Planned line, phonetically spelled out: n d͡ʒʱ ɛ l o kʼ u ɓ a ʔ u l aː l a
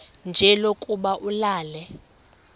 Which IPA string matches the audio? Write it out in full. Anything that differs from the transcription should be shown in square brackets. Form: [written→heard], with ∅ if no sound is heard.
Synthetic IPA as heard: n d͡ʒʱ ɛ l o kʼ u ɓ a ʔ u l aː l [a→ɛ]